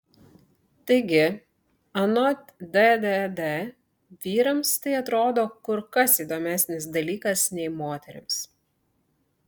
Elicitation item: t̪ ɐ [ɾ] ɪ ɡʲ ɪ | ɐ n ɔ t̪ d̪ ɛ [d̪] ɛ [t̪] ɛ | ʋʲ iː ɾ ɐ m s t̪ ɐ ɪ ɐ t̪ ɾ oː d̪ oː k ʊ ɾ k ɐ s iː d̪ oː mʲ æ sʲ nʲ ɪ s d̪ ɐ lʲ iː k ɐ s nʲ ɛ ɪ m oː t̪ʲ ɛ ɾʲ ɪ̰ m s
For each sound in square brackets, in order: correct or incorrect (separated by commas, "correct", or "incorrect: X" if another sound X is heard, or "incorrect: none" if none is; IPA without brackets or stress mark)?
incorrect: none, correct, incorrect: d̪